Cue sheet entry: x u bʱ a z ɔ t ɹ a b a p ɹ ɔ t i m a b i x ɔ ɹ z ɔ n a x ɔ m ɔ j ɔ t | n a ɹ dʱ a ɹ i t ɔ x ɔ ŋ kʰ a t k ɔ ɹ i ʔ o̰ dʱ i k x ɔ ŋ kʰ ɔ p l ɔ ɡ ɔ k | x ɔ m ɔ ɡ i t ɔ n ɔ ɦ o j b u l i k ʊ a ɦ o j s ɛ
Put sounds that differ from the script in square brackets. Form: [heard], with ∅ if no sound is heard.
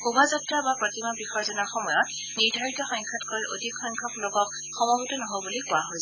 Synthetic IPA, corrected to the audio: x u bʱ a z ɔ t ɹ a b a p ɹ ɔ t i m a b i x ɔ ɹ z ɔ n a x ɔ m ɔ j ɔ t | n [i] ɹ dʱ a ɹ i t ɔ x ɔ ŋ kʰ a t k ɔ ɹ i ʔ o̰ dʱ i k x ɔ ŋ kʰ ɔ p l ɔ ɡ ɔ k | x ɔ m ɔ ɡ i t ɔ n ɔ ɦ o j b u l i k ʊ a ɦ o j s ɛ